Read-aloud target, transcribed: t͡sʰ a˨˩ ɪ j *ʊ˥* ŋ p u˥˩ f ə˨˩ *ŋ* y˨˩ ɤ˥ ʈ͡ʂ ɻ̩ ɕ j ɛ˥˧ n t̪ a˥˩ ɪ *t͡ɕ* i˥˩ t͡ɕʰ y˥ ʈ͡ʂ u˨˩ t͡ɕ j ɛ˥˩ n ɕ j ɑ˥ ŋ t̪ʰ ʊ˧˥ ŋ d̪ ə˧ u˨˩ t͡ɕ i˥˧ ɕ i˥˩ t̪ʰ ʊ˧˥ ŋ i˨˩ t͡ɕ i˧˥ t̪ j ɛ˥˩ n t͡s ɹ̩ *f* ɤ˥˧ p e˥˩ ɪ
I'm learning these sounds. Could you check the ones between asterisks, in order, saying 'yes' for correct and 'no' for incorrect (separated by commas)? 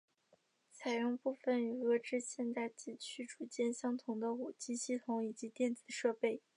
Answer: no, no, yes, no